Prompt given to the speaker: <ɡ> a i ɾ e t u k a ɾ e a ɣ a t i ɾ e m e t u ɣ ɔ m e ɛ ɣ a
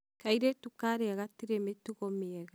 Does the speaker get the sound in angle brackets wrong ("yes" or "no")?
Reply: yes